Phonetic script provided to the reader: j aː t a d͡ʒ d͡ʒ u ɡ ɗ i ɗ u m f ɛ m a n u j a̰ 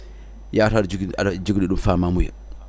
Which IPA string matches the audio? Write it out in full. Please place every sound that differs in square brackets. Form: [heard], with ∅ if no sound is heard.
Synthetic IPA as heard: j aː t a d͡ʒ d͡ʒ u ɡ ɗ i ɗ u m f [a] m a [m] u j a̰